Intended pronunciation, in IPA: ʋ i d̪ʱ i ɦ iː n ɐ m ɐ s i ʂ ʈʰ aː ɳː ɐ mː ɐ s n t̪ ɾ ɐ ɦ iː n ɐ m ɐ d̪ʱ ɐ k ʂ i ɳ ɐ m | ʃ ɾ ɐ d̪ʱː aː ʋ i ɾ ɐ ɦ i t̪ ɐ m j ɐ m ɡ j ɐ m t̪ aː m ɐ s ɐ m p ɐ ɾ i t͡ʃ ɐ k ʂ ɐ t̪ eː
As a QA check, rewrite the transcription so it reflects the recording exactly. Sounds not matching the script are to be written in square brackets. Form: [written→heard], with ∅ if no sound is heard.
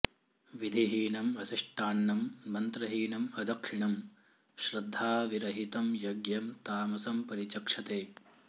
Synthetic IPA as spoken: ʋ i d̪ʱ i ɦ iː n ɐ m ɐ s i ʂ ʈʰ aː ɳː ɐ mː ɐ [s→∅] n t̪ ɾ ɐ ɦ iː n ɐ m ɐ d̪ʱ ɐ k ʂ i ɳ ɐ m | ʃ ɾ ɐ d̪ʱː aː ʋ i ɾ ɐ ɦ i t̪ ɐ m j ɐ [m→∅] ɡ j ɐ m t̪ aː m ɐ s ɐ m p ɐ ɾ i t͡ʃ ɐ k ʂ ɐ t̪ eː